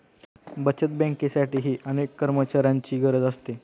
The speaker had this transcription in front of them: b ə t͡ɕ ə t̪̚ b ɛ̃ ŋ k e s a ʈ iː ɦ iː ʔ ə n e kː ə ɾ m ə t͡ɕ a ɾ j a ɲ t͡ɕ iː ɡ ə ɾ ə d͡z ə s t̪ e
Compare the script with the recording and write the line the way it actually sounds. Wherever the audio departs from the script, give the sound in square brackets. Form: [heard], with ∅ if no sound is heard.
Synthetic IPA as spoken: b ə t͡ɕ ə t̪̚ b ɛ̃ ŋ k e s a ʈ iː ɦ iː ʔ ə n e kː ə ɾ m ə t͡ɕ a ɾ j a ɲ t͡ɕ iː ɡ ə ɾ ə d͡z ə s t̪ e